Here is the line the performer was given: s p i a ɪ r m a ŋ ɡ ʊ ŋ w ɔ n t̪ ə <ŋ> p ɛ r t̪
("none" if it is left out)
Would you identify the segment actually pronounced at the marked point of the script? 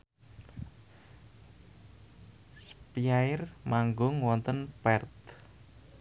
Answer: n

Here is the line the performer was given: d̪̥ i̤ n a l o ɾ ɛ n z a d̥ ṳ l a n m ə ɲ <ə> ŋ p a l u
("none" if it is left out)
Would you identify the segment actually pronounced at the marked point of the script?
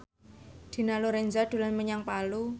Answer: a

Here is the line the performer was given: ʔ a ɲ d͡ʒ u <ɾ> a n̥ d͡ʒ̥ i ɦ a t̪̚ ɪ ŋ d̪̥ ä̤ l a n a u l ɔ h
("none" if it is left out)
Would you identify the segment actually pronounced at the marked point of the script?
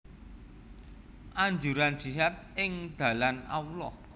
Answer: ɾ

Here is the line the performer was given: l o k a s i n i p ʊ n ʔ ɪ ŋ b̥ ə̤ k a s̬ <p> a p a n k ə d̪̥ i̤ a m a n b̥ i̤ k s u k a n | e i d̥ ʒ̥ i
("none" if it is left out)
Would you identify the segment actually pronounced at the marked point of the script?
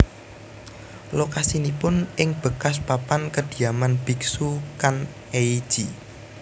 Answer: p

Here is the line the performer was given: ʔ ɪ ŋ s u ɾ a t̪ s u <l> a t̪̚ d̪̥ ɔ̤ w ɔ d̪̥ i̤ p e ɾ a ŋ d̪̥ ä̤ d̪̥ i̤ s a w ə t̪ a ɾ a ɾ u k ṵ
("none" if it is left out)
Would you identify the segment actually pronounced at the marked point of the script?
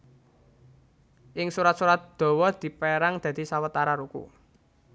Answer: ɾ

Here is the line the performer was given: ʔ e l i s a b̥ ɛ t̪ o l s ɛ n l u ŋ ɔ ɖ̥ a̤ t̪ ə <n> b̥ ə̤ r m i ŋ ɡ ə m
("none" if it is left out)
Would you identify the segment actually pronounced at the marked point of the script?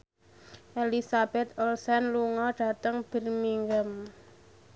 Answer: ŋ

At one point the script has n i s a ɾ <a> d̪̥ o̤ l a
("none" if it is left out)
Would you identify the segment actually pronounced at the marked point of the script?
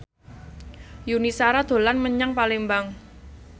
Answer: a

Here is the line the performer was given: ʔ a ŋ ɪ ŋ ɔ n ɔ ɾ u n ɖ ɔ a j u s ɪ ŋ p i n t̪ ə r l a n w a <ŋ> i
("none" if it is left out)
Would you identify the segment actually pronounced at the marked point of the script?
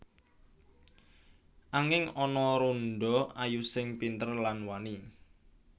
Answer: n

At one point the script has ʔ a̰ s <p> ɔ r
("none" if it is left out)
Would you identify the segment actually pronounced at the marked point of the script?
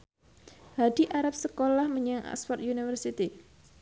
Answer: p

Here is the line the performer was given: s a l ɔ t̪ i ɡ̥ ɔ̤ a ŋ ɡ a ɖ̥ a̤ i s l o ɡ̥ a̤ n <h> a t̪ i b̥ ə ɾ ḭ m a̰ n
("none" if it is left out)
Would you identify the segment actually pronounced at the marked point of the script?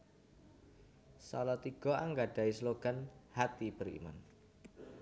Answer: h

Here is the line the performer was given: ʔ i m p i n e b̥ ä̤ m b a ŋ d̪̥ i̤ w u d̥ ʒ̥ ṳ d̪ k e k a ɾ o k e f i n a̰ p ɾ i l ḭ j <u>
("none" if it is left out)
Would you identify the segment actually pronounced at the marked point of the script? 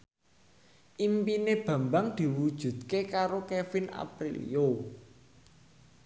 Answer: o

